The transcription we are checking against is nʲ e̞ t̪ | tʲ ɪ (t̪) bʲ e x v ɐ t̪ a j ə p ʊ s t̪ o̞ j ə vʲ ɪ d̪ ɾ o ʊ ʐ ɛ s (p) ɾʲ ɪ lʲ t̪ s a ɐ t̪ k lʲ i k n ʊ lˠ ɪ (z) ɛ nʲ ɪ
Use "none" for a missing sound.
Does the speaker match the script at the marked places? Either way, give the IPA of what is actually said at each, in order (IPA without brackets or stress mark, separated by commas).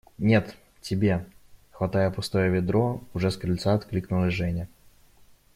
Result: none, k, ʐ